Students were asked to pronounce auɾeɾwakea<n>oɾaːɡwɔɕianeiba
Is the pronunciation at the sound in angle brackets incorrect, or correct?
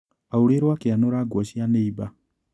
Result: correct